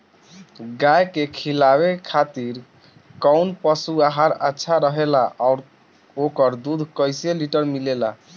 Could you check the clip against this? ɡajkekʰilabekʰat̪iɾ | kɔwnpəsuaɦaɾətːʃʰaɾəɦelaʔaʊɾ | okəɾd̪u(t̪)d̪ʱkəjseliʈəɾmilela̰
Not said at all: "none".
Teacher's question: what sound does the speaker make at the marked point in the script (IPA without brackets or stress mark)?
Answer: none